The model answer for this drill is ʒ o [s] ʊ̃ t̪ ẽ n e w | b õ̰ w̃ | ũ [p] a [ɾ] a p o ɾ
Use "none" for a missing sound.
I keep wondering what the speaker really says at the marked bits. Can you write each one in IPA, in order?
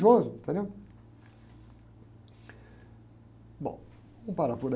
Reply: z, p, ɾ

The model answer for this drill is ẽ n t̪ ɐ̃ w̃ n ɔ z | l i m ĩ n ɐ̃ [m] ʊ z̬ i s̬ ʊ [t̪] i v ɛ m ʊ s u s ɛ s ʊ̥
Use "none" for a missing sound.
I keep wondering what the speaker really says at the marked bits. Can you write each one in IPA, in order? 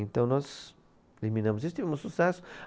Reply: m, t̪

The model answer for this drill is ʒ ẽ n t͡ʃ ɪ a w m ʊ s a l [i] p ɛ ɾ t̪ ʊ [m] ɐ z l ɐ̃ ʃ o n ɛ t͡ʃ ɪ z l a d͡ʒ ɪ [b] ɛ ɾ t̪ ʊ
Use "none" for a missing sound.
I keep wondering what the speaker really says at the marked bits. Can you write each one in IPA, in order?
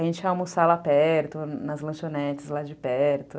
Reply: a, n, p

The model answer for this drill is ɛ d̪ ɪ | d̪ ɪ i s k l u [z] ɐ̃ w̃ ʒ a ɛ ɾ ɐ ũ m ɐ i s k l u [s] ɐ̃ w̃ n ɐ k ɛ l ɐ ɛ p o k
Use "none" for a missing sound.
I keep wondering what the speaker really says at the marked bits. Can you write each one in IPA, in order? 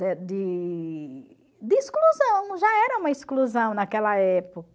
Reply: z, z

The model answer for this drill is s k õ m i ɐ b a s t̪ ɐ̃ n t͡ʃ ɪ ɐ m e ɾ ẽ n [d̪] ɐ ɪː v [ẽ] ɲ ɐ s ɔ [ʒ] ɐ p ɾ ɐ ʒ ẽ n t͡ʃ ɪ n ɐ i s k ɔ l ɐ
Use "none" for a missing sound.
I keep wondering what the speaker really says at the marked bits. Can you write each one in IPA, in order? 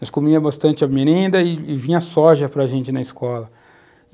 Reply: d̪, ĩ, ʒ

